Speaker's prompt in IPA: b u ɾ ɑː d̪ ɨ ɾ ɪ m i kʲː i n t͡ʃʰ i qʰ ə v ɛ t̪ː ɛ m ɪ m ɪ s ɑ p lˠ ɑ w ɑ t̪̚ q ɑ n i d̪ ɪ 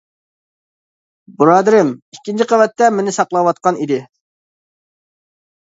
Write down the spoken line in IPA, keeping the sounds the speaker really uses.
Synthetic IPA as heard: b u ɾ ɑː d̪ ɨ ɾ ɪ m i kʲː i n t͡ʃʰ i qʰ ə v ɛ t̪ː ɛ m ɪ n ɪ s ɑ q lˠ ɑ w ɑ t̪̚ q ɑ n i d̪ ɪ